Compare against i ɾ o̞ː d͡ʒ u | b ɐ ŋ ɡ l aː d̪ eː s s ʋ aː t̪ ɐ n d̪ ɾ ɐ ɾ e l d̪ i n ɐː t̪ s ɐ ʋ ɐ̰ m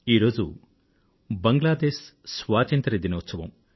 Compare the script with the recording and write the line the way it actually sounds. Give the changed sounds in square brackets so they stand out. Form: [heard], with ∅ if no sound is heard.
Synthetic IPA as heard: [iː] ɾ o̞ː d͡ʒ u | b ɐ ŋ ɡ l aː d̪ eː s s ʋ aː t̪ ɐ n [t̪] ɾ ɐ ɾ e [∅] d̪ i n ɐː t̪ s ɐ ʋ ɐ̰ m